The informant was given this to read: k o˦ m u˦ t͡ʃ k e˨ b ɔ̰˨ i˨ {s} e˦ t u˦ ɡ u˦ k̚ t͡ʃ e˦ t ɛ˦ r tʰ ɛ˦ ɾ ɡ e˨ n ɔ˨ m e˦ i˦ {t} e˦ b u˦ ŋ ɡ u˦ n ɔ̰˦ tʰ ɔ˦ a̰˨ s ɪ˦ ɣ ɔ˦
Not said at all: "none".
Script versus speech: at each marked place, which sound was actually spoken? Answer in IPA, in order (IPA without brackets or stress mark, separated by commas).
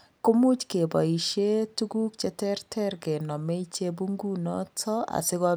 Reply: ʃ, t͡ʃ